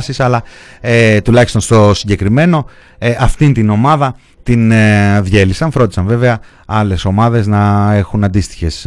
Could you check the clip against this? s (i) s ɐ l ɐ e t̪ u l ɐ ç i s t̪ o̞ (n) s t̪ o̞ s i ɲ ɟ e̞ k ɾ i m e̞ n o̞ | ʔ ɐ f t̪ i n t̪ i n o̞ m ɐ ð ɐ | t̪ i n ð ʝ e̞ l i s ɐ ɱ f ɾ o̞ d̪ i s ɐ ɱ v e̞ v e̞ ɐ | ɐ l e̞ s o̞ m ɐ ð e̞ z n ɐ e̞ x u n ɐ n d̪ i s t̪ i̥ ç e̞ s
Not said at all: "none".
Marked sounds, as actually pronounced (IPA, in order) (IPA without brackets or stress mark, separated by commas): i, n